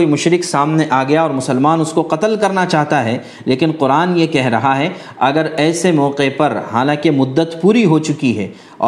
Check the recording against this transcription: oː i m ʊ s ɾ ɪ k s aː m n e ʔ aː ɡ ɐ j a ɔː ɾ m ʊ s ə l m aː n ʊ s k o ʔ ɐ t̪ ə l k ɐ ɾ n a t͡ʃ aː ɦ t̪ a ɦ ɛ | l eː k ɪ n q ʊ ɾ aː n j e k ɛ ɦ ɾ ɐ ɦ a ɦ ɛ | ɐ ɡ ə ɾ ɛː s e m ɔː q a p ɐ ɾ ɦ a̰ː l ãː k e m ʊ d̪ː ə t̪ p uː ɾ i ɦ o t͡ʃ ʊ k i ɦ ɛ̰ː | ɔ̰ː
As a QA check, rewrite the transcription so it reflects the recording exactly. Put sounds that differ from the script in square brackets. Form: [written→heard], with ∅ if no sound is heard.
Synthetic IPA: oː i m ʊ [s→ʃ] ɾ ɪ k s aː m n e ʔ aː ɡ ɐ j a ɔː ɾ m ʊ s ə l m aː n ʊ s k o [ʔ→q] ɐ t̪ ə l k ɐ ɾ n a t͡ʃ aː ɦ t̪ a ɦ ɛ | l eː k ɪ n q ʊ ɾ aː n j e k ɛ ɦ ɾ ɐ ɦ a ɦ ɛ | ɐ ɡ ə ɾ ɛː s e m ɔː q [a→e] p ɐ ɾ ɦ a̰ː l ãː k e m ʊ d̪ː ə t̪ p uː ɾ i ɦ o t͡ʃ ʊ k i ɦ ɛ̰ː | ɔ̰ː